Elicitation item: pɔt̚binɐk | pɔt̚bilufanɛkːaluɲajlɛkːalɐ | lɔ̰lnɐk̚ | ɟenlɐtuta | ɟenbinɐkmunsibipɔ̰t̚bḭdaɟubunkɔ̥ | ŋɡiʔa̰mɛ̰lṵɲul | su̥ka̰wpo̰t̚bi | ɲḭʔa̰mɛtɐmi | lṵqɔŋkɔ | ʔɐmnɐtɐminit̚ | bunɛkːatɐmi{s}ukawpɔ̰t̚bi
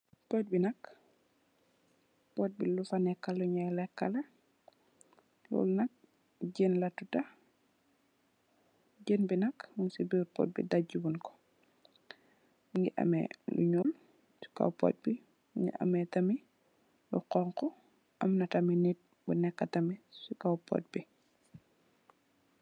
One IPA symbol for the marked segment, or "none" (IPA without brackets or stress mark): s